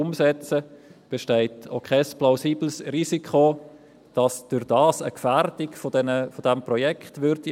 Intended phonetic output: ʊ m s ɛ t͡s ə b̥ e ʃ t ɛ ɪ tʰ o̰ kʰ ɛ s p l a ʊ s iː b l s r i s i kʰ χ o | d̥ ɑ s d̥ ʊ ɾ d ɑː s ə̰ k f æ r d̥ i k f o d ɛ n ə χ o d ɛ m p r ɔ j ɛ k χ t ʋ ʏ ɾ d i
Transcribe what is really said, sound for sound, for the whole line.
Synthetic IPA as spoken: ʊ m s ɛ t͡s ə b̥ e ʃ t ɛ ɪ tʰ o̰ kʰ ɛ s p l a ʊ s iː b l s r i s i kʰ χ o | d̥ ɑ s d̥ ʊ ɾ d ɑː s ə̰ k f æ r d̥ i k f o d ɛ n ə f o d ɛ m p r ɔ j ɛ k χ t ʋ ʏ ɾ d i